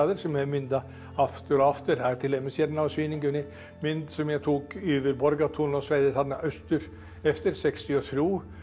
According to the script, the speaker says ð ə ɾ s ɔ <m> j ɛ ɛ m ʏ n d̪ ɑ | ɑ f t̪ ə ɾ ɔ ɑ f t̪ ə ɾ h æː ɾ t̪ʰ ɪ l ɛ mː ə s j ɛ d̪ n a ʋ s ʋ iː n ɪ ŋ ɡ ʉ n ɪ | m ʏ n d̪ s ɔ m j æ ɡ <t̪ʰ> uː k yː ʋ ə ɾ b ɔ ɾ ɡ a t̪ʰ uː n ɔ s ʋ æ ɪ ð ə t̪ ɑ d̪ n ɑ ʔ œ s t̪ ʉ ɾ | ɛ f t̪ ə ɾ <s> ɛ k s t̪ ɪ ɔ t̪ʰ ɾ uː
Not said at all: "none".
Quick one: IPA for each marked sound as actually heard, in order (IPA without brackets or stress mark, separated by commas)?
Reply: m, t̪ʰ, s